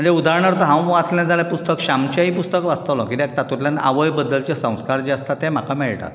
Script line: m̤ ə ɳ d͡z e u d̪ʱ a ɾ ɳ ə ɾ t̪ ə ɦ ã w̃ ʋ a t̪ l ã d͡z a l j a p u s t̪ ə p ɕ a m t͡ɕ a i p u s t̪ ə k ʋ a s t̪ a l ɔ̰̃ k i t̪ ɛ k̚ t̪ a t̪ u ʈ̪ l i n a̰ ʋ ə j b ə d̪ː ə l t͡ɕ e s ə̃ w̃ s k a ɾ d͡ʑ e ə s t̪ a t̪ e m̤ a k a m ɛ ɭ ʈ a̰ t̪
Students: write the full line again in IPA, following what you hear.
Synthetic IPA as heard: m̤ ə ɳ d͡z e u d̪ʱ a ɾ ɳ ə ɾ t̪ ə ɦ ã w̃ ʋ a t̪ l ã d͡z a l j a p u s t̪ ə k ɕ a m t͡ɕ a i p u s t̪ ə k ʋ a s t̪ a l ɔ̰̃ k i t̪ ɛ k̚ t̪ a t̪ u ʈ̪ l a n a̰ ʋ ə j b ə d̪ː ə l t͡ɕ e s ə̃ w̃ s k a ɾ d͡ʑ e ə s t̪ a t̪ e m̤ a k a m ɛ ɭ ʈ a̰ t̪